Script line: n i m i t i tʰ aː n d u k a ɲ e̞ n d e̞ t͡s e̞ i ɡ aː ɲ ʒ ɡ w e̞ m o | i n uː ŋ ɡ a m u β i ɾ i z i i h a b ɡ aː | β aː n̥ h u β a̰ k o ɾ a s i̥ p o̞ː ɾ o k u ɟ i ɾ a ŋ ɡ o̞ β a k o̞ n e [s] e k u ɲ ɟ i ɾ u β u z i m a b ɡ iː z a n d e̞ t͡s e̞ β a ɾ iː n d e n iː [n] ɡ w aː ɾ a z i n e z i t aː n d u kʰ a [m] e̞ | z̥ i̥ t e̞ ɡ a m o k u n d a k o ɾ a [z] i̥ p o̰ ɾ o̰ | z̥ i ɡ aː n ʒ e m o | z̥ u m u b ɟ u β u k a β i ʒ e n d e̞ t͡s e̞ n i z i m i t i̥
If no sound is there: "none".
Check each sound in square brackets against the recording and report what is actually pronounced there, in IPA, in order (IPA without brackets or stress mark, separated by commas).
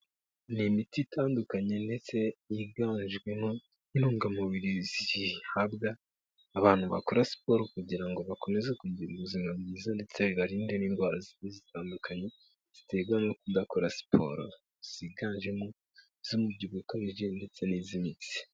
z, n, ɲ, s